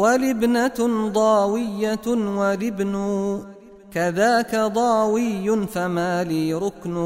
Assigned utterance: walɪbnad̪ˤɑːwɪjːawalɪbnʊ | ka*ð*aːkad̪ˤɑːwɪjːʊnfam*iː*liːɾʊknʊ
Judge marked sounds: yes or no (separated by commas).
yes, no